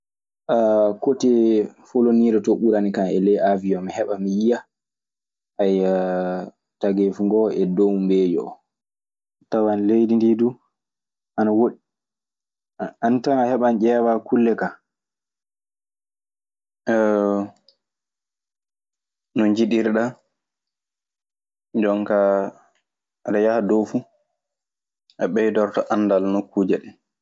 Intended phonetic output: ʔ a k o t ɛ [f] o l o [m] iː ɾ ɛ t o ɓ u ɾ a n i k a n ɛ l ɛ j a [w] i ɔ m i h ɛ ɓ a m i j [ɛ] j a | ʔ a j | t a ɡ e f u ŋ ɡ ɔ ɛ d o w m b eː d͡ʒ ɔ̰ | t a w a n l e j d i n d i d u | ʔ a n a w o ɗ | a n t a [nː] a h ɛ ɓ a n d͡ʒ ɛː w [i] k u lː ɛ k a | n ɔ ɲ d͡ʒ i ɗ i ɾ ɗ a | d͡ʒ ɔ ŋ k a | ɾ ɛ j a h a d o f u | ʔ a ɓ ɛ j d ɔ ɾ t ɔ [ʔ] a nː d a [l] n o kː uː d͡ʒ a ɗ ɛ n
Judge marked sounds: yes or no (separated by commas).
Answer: yes, no, no, no, no, no, yes, yes